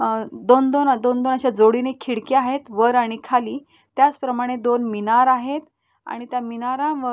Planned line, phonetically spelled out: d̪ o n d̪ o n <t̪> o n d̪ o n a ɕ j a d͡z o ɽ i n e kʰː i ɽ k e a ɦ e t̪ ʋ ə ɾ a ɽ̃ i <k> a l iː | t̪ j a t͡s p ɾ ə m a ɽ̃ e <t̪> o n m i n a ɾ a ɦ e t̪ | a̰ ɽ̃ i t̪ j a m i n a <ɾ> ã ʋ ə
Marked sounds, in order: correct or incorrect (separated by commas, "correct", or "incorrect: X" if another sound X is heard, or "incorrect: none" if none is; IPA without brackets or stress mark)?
incorrect: d̪, incorrect: kʰ, incorrect: d̪, correct